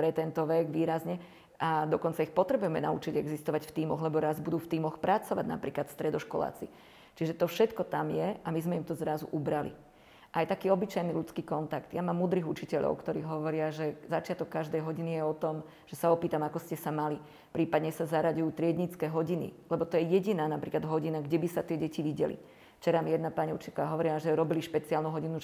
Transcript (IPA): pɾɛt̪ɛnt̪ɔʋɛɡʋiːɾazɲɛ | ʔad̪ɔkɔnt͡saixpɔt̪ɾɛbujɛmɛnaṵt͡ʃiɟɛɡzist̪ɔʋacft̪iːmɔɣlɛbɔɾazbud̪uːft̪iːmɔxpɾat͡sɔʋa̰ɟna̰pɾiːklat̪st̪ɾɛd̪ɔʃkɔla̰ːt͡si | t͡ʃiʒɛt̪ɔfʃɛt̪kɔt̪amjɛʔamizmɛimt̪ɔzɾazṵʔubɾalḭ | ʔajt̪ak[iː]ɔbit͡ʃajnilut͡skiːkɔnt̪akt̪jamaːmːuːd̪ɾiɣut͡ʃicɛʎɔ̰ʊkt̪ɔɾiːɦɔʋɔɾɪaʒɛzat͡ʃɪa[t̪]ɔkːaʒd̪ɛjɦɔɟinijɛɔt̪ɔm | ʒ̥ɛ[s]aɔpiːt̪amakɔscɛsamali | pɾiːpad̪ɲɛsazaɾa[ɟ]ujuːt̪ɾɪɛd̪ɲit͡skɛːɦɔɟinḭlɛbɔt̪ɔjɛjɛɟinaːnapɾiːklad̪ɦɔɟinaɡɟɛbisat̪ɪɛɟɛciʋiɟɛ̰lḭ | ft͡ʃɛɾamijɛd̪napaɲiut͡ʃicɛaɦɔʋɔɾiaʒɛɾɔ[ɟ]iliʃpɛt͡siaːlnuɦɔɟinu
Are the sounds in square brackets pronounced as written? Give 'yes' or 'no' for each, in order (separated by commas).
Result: yes, yes, yes, yes, no